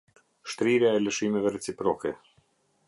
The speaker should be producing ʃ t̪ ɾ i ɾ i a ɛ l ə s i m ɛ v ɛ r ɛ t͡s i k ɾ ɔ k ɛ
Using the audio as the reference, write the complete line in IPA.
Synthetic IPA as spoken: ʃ t̪ ɾ i ɾ j a ɛ l ə ʃ i m ɛ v ɛ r ɛ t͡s i p ɾ ɔ k ɛ